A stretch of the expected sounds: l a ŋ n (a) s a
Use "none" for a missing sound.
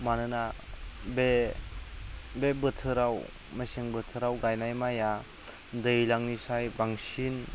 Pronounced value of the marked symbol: i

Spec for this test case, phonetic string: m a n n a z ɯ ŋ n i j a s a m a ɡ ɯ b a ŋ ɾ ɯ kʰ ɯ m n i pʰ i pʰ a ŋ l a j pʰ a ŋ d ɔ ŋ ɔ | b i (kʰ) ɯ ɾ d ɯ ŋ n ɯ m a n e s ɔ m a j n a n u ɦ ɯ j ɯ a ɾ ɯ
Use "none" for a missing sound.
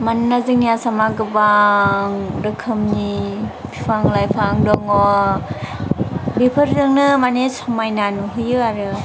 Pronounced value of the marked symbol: pʰ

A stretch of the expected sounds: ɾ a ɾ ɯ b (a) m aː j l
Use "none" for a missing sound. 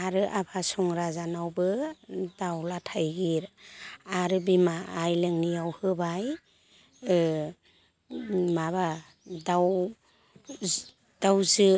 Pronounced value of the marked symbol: i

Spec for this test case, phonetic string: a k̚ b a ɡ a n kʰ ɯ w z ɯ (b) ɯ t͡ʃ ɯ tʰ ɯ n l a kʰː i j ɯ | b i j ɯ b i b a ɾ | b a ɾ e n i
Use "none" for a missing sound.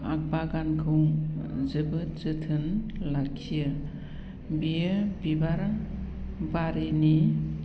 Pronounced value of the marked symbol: b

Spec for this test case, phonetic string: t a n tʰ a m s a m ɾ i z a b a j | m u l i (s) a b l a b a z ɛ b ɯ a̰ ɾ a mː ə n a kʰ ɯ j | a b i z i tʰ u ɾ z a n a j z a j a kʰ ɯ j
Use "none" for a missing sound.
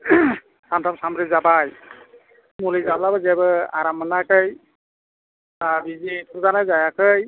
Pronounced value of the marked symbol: z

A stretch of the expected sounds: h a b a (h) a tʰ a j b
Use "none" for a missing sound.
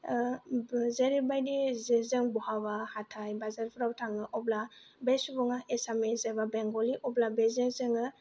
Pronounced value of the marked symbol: h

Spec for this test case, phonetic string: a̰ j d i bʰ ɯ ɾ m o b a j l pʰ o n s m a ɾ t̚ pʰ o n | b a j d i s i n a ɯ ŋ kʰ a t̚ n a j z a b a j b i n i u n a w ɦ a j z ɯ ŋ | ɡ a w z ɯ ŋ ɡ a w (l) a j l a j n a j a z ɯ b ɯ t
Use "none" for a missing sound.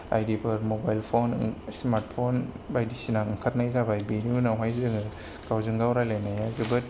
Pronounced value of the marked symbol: ɾ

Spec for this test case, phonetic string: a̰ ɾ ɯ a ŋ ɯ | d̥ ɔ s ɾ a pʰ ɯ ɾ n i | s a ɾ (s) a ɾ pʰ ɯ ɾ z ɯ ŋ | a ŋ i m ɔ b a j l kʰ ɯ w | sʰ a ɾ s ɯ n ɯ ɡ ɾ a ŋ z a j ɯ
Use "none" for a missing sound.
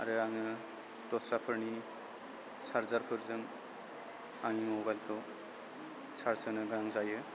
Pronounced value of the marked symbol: z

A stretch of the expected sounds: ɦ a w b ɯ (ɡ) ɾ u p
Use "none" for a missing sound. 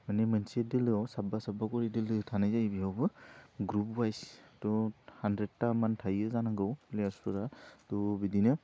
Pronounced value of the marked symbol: ɡ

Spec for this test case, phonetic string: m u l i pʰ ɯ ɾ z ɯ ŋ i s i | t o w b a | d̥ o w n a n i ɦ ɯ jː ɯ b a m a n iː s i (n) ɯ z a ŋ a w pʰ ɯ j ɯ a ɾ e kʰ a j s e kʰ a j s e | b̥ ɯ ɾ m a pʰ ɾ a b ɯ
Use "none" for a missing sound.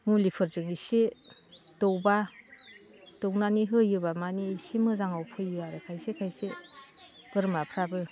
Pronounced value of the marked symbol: m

